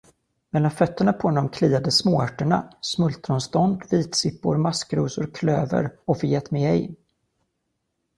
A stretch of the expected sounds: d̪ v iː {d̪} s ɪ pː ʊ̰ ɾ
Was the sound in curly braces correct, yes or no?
no